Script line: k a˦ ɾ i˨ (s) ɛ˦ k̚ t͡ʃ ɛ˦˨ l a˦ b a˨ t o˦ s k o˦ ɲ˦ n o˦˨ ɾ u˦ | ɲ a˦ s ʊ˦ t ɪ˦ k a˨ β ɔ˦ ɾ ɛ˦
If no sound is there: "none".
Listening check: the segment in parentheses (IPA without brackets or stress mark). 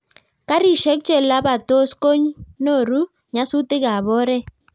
ʃ